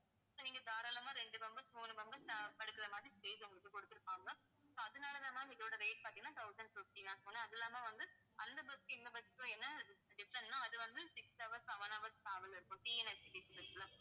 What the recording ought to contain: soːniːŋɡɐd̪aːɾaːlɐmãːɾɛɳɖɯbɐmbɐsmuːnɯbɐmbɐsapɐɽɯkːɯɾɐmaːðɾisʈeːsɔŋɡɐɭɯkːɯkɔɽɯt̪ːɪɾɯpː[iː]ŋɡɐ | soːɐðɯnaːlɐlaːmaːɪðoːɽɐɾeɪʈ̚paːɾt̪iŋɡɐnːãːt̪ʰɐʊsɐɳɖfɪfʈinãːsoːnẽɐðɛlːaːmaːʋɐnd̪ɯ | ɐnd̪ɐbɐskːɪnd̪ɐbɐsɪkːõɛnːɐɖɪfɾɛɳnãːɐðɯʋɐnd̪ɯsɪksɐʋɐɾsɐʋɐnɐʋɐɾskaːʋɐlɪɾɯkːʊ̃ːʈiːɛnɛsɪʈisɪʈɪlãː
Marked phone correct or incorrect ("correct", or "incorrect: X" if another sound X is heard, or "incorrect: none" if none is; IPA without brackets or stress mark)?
incorrect: aː